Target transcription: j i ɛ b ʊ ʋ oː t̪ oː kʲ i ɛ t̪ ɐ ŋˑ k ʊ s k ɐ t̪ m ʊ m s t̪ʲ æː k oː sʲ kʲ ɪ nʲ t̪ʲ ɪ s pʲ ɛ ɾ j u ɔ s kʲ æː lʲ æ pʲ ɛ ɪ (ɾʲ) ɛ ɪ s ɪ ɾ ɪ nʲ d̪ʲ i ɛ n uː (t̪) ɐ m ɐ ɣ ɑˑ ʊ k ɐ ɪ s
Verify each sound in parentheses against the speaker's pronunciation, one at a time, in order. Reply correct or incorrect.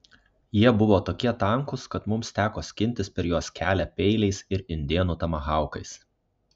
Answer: incorrect: lʲ, correct

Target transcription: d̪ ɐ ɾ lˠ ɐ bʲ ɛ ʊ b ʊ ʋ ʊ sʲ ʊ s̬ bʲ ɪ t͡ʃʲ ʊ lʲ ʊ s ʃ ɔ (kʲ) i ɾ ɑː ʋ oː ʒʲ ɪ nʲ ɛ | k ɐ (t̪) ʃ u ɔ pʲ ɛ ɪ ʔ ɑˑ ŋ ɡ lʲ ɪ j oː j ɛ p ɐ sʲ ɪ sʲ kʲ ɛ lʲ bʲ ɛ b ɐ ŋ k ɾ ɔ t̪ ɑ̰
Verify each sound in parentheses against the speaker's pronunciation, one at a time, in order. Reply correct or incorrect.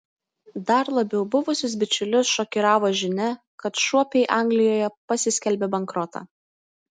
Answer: correct, correct

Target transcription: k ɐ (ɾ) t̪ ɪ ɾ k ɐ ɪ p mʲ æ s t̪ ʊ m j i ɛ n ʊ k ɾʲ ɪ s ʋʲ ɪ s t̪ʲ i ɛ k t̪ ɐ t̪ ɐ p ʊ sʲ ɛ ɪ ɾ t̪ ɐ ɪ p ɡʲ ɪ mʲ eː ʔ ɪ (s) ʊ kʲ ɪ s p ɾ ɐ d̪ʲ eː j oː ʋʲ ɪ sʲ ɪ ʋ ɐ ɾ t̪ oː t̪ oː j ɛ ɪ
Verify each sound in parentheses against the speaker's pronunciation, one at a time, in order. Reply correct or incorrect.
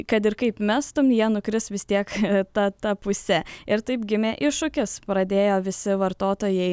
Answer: incorrect: none, incorrect: ʃ

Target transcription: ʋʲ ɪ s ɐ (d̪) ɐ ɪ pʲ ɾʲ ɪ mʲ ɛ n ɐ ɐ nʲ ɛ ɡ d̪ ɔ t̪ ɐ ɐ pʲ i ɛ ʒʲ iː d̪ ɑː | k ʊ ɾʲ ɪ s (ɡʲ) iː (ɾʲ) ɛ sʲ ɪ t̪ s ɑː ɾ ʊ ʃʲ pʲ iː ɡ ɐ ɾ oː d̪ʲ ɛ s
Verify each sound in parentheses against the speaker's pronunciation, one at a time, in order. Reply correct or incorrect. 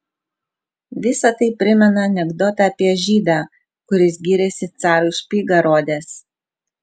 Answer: incorrect: t̪, correct, correct

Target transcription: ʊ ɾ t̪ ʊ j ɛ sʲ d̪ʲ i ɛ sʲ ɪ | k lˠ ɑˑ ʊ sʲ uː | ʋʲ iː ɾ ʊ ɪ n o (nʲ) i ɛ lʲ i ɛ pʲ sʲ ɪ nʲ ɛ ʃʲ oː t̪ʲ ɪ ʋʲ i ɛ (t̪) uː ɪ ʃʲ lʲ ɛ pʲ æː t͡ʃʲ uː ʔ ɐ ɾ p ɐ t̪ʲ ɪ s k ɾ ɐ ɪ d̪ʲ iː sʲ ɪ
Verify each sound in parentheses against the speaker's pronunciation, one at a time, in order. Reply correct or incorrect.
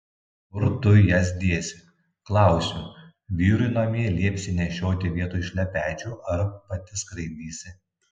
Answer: incorrect: mʲ, correct

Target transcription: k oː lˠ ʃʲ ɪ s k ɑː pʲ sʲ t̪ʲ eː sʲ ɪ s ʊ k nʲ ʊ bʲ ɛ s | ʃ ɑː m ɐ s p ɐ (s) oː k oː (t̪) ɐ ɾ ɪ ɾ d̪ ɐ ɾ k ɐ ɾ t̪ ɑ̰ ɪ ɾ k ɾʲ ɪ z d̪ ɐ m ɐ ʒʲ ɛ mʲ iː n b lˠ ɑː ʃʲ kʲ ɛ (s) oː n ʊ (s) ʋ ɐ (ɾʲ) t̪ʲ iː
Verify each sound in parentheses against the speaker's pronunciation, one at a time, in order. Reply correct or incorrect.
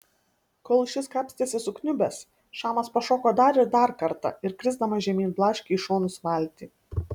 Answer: incorrect: ʃ, incorrect: d̪, incorrect: ʃ, correct, incorrect: lʲ

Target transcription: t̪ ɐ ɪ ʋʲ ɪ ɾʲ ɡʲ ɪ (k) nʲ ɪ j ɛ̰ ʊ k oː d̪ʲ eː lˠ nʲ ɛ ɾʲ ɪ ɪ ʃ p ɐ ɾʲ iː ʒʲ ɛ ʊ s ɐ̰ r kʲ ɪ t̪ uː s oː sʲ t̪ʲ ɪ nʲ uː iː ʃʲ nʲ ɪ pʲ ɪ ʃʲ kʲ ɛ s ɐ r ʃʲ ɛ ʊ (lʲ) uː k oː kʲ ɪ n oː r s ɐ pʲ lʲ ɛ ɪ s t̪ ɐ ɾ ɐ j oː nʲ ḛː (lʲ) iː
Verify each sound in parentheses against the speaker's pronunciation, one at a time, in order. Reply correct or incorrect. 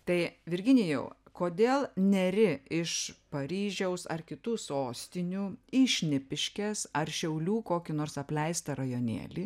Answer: incorrect: none, correct, correct

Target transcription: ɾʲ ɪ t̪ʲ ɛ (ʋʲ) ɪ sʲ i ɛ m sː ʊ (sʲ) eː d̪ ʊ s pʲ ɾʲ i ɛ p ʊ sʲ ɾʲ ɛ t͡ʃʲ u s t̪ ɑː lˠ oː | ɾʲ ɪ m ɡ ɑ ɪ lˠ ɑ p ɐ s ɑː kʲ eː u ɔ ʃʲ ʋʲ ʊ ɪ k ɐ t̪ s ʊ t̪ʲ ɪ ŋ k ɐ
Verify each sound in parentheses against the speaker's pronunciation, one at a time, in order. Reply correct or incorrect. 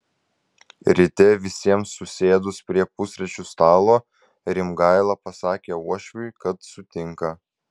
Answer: correct, correct

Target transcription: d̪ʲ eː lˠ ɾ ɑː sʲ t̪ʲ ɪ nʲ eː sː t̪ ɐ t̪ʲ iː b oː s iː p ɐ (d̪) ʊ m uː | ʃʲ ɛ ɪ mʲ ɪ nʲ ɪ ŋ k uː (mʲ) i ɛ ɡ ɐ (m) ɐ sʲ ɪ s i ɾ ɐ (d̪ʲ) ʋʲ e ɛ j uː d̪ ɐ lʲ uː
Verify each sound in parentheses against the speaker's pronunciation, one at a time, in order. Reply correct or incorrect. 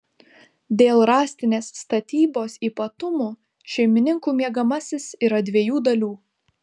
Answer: incorrect: t̪, correct, correct, correct

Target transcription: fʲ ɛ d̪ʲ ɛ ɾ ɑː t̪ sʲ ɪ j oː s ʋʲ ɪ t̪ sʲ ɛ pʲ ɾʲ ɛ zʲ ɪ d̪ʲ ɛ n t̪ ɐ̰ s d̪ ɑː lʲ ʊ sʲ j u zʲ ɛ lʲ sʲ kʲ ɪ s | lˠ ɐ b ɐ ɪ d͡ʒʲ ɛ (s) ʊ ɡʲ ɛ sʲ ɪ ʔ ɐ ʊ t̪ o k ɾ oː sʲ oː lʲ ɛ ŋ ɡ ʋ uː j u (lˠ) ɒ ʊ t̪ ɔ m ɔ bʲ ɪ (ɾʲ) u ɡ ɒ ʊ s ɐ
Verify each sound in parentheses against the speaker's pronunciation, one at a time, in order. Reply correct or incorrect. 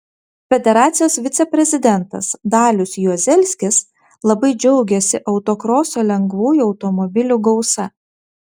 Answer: incorrect: none, incorrect: none, incorrect: lʲ

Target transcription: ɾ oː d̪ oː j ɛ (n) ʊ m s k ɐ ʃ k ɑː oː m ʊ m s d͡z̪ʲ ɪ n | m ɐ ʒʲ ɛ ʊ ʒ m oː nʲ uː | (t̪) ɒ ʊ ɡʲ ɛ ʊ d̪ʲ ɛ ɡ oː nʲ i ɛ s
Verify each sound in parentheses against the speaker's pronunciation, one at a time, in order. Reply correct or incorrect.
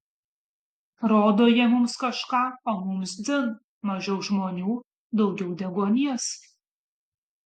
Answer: incorrect: m, incorrect: d̪

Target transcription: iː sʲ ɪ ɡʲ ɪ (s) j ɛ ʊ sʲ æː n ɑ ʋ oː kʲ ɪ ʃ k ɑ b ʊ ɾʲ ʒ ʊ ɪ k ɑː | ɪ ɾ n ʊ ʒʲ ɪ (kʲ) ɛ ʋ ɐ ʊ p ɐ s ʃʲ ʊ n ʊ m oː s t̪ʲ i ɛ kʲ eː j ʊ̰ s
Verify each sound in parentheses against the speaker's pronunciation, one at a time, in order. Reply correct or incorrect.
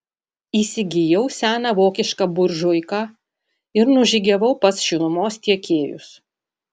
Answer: incorrect: none, incorrect: ɡʲ

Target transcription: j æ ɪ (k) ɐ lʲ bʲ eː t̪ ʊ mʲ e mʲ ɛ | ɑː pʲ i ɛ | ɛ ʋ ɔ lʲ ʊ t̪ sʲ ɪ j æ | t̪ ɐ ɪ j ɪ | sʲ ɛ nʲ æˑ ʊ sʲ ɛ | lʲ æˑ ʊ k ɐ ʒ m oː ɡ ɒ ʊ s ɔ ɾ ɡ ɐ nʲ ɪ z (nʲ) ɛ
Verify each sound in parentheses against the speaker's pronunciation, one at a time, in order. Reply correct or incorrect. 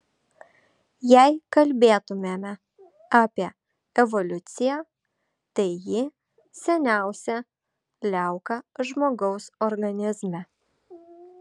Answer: correct, incorrect: mʲ

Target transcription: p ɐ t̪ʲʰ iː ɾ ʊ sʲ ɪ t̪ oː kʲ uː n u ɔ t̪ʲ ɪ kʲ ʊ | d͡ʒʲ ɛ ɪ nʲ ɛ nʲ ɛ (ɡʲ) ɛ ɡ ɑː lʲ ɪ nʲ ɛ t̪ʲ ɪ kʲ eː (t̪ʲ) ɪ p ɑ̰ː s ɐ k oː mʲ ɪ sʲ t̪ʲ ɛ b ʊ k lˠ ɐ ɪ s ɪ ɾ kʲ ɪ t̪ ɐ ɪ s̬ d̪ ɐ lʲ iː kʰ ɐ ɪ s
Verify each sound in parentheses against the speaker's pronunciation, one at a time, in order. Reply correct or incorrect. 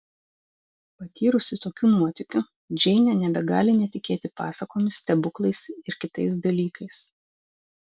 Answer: incorrect: bʲ, correct

